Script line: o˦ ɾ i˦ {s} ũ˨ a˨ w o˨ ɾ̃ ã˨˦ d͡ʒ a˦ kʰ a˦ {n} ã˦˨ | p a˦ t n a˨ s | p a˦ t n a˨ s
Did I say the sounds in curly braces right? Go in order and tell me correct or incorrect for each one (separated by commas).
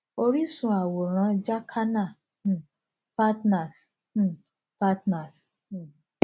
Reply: correct, correct